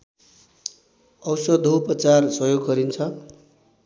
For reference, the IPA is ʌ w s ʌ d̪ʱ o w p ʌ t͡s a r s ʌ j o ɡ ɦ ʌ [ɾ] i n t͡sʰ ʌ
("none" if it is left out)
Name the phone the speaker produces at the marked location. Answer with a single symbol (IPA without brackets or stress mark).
ɾ